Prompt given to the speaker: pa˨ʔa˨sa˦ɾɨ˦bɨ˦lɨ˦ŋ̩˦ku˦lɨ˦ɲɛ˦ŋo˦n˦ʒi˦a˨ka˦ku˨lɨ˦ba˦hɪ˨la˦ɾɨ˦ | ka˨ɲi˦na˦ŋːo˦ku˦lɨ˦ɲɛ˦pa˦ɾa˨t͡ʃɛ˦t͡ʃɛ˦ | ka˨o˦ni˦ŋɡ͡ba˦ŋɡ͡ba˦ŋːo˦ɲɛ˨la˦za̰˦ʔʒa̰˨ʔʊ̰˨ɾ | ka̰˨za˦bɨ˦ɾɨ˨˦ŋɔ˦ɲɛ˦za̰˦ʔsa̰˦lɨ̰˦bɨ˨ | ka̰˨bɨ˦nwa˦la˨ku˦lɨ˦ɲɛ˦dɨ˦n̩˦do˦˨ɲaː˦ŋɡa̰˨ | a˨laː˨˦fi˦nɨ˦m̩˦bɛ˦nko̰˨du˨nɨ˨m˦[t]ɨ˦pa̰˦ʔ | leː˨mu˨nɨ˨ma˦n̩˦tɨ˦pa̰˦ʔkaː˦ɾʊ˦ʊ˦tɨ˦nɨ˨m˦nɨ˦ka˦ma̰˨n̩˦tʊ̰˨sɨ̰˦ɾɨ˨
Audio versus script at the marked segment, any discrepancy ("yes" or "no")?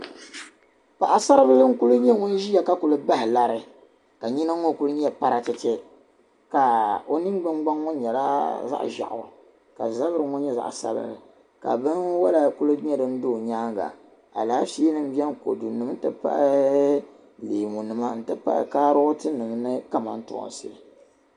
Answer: no